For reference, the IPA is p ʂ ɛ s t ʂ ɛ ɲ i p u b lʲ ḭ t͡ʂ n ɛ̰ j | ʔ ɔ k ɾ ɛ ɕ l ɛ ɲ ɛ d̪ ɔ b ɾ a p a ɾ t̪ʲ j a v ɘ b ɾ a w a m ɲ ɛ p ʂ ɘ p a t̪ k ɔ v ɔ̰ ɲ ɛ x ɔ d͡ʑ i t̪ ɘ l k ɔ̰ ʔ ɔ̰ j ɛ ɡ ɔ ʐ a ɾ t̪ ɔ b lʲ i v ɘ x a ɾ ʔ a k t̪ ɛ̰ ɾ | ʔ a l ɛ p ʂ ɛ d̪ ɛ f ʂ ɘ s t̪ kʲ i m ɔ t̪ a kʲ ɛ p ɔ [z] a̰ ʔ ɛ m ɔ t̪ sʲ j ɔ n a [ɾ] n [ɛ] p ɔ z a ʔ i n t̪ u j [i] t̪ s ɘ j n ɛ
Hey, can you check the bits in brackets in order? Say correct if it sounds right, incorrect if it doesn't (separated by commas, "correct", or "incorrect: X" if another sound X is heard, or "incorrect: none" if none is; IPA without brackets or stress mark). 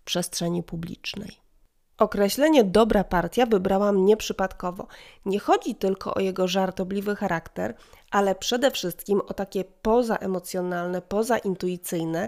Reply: correct, incorrect: l, correct, correct